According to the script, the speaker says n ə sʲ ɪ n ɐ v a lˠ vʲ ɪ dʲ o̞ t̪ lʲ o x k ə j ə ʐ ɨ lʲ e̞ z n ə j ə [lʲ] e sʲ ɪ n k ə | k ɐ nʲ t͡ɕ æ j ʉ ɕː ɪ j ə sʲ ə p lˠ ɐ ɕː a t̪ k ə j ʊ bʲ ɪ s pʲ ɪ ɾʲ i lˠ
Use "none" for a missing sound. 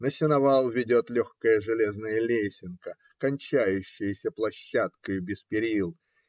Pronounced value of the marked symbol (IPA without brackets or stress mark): lʲ